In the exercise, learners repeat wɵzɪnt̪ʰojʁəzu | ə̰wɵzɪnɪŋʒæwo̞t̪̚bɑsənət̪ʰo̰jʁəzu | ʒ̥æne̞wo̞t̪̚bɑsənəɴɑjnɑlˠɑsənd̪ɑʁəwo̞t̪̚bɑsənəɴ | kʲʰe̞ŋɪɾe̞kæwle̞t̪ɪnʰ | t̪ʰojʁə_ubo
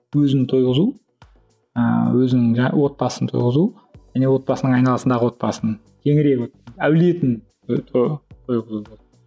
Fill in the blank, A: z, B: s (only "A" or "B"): A